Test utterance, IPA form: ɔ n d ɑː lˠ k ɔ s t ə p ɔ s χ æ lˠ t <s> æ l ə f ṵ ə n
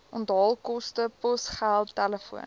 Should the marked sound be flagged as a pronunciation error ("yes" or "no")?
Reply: yes